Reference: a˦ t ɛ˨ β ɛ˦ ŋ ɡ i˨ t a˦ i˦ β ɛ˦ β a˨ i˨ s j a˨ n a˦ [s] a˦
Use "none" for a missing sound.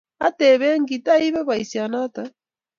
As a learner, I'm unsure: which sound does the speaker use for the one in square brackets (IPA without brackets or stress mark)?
t